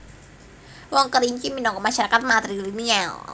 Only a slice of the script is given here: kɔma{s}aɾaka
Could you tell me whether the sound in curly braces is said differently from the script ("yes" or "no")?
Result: yes